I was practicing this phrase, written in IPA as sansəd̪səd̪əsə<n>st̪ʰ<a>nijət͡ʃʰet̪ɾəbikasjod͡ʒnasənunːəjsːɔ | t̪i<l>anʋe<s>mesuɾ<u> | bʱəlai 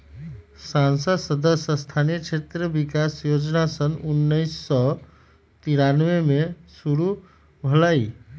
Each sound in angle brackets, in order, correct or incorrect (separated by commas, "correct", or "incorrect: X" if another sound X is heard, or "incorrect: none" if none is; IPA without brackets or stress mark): incorrect: none, correct, incorrect: ɾ, incorrect: none, correct